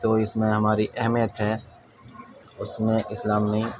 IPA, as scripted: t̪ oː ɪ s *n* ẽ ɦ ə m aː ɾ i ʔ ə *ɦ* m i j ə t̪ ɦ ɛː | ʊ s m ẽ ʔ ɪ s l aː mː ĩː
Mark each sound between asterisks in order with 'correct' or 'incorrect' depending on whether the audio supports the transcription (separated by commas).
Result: incorrect, correct